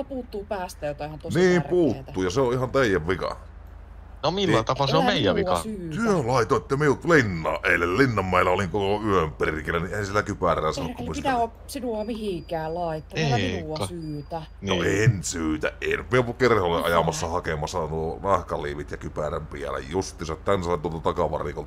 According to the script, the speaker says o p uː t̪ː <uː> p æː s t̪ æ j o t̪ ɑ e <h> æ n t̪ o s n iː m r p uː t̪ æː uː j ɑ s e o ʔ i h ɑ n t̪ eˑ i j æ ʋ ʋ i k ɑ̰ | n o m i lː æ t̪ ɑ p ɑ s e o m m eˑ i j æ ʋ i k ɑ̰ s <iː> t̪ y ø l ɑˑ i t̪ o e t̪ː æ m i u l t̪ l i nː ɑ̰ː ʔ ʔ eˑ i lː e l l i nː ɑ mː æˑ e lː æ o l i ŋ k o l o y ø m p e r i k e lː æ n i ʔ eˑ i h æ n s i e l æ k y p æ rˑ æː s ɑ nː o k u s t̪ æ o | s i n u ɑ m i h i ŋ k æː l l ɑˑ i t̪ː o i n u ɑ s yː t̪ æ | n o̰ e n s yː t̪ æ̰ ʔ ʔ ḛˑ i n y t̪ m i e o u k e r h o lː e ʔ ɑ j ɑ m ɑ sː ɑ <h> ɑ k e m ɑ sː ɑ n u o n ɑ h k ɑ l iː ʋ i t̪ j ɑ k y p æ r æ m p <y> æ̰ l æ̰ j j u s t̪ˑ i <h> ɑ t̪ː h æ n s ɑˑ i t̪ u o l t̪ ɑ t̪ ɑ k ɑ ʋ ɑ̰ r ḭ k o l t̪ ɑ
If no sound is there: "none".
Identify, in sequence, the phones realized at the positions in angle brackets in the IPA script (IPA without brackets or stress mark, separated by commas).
uː, h, yː, h, i, s